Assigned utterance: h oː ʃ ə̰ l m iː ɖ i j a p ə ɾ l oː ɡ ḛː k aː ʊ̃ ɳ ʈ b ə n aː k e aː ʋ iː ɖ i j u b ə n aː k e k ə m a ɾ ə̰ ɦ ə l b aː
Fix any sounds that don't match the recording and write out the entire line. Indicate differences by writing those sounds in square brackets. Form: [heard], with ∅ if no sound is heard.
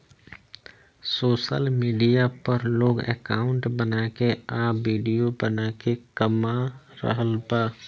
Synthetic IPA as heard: [s] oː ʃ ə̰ l m iː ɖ i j a p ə ɾ l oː ɡ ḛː k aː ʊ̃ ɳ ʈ b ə n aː k e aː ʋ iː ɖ i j [o] b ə n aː k e k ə m a ɾ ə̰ ɦ ə l b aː